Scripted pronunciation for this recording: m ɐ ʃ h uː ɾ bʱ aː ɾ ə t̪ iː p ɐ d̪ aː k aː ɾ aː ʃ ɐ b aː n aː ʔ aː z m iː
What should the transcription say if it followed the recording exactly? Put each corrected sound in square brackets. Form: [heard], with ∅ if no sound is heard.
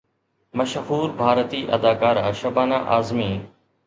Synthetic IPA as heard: m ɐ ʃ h uː ɾ bʱ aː ɾ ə t̪ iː [ʔ] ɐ d̪ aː k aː ɾ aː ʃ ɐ b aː n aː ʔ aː z m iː